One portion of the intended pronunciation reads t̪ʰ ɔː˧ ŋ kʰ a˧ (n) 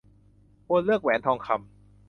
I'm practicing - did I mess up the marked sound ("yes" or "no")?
yes